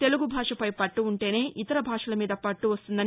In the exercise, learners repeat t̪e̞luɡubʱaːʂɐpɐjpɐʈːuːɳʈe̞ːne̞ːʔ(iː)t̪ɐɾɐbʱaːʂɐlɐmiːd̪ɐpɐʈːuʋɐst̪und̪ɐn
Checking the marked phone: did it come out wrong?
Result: yes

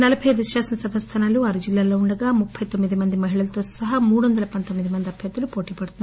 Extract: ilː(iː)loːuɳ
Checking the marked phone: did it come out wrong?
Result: yes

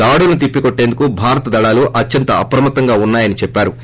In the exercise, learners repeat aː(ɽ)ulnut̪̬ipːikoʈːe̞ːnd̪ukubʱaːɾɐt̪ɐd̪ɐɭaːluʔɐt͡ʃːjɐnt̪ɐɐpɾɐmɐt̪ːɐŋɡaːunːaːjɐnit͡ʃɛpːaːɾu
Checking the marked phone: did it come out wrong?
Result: no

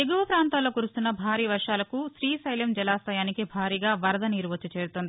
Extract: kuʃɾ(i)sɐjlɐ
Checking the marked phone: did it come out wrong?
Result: yes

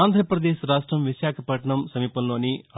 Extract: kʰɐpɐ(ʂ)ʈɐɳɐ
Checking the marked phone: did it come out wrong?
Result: yes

